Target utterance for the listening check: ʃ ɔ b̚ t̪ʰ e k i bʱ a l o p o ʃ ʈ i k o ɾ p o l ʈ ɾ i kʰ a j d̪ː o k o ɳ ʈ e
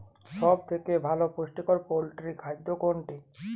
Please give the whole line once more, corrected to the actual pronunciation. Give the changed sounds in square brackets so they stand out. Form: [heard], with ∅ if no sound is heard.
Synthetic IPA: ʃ ɔ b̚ t̪ʰ e k [e] bʱ a l o p o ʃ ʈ i k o ɾ p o l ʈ ɾ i kʰ a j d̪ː o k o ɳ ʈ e